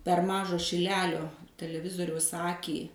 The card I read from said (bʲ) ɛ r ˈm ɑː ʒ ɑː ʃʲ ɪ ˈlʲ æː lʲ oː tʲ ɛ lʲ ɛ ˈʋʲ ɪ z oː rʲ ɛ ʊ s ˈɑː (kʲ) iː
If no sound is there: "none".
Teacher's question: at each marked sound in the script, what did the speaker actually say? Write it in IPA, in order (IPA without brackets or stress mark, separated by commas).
pʲ, kʲ